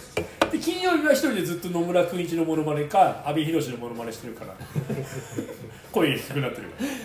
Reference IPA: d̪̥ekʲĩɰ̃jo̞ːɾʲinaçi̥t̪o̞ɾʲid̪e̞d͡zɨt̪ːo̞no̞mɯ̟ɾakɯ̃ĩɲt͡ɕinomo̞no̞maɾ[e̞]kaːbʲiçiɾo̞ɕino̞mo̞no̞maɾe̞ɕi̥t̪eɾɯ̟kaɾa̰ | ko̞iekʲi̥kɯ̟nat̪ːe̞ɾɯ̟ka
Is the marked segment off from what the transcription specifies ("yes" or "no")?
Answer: no